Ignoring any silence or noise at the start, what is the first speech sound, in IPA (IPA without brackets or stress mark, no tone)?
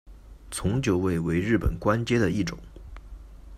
t͡sʰ